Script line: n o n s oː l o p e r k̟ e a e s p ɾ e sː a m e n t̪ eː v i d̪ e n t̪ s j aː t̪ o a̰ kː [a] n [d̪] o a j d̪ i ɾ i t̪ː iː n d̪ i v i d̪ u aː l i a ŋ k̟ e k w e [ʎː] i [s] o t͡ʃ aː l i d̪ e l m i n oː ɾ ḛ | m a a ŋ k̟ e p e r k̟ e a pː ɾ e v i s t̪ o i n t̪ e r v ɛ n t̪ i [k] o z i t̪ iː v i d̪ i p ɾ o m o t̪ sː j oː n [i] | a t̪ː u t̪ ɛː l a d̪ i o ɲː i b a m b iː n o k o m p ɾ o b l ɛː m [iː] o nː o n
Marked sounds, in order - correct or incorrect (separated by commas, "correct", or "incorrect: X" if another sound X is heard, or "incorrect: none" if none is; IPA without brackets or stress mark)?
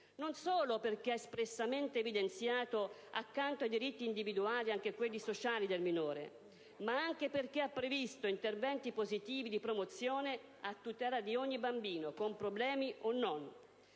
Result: correct, incorrect: t̪, incorrect: lː, correct, incorrect: p, incorrect: e, incorrect: i